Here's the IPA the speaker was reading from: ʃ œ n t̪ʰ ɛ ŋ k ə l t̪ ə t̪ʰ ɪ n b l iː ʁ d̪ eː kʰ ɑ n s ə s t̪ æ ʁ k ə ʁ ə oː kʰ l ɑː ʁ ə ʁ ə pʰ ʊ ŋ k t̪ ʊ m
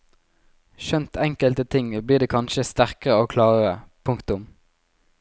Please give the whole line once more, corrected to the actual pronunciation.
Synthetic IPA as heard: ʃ œ n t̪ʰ ɛ ŋ k ə l t̪ ə t̪ʰ ɪ ŋ b l iː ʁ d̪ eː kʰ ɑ n ʃ ə s t̪ æ ʁ k ə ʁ ə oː kʰ l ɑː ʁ ə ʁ ə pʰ ʊ ŋ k t̪ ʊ m